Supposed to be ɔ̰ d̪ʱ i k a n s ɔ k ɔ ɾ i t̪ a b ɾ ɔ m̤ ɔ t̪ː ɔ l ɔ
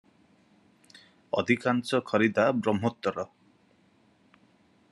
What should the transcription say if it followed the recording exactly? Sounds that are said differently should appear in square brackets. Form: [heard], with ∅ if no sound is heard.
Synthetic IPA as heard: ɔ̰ d̪ʱ i k a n s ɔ [kʰ] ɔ ɾ i [d̪] a b ɾ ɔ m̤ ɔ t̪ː ɔ [ɾ] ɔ